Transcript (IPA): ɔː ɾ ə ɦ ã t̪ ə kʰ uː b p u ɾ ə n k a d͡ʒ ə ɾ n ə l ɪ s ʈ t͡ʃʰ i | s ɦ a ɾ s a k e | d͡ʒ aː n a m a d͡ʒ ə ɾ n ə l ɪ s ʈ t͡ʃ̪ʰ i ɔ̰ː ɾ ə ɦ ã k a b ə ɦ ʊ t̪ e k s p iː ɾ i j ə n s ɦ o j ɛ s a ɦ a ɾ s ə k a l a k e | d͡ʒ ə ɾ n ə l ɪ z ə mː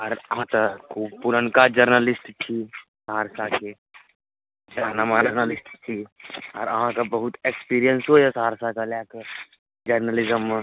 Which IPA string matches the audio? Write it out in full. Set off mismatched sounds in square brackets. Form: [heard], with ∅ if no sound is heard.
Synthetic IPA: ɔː ɾ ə ɦ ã t̪ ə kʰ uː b p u ɾ ə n k a d͡ʒ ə ɾ n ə l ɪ s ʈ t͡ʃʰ i | s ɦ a ɾ s a k e | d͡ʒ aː n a m a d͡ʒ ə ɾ n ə l ɪ s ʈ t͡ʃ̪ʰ i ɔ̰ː ɾ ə ɦ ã k a b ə ɦ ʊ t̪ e k s p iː ɾ i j ə n s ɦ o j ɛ s a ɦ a ɾ s [a] k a l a k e | d͡ʒ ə ɾ n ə l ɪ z ə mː